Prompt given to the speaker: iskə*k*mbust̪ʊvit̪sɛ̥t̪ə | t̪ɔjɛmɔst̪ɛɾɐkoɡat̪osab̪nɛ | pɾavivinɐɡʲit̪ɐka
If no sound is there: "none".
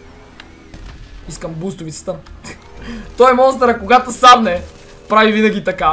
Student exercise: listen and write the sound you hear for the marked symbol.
none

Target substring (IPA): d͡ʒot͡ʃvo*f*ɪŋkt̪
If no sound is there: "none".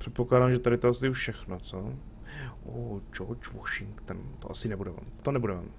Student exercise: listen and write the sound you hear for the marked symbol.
ʃ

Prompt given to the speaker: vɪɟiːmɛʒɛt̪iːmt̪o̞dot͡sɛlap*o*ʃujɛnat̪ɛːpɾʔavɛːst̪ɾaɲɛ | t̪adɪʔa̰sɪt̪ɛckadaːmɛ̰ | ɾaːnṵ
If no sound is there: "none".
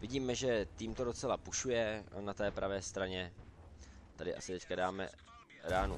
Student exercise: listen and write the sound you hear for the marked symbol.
u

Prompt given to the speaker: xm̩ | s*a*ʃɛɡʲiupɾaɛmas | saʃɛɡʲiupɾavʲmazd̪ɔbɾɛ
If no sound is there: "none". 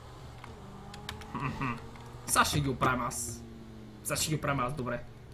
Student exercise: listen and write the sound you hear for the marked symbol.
a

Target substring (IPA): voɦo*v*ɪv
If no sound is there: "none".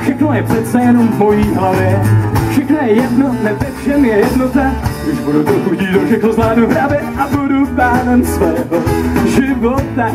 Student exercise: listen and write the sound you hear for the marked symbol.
ʒ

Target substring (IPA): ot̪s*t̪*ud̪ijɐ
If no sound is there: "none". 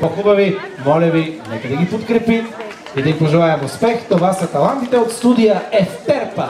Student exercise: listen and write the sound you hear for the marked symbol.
t̪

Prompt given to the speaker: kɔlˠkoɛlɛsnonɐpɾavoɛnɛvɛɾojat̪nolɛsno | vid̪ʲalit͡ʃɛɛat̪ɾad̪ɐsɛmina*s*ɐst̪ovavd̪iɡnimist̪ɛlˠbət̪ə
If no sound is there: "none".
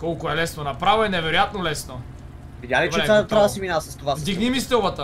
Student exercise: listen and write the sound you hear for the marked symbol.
s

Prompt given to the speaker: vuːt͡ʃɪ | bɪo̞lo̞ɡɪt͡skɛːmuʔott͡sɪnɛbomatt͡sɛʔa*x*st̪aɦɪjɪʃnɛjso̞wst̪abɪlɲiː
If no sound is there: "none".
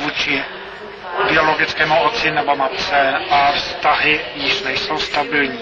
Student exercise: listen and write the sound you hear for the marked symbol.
f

